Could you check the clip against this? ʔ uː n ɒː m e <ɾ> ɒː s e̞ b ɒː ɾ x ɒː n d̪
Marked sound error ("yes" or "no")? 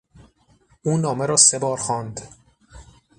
no